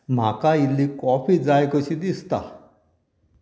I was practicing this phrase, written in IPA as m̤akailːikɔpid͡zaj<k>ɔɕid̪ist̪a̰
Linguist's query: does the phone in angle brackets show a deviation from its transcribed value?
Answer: no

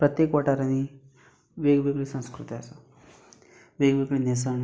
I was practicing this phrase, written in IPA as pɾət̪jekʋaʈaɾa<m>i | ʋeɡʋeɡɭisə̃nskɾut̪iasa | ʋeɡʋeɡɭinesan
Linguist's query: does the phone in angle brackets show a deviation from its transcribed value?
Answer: yes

